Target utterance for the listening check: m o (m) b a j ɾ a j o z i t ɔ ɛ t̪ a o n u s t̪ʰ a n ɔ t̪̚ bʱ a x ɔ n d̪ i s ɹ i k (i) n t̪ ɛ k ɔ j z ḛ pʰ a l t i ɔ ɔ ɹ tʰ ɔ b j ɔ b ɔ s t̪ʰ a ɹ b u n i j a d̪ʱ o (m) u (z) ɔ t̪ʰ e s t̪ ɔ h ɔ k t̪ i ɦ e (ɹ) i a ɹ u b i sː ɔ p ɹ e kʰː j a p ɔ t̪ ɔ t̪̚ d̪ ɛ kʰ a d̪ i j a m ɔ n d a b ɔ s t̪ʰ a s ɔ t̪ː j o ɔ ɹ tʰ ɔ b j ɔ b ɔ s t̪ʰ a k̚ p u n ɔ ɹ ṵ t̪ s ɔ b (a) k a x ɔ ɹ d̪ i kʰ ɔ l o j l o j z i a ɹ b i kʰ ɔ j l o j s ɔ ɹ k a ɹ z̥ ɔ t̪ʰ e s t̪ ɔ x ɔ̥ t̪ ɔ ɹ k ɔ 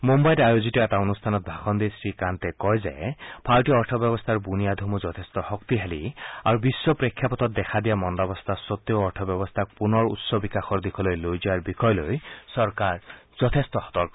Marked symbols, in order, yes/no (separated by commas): yes, no, yes, yes, no, no